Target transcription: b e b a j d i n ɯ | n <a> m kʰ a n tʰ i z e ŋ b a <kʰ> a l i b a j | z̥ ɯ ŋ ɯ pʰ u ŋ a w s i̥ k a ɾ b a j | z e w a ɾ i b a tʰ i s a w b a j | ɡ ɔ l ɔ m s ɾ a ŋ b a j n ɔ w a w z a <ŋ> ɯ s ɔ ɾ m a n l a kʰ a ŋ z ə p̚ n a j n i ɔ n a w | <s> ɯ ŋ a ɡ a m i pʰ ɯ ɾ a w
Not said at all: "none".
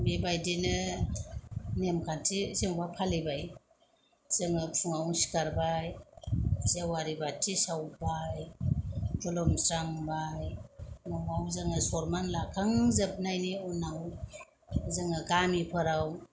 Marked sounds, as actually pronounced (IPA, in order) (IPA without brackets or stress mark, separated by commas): e, pʰ, ŋ, z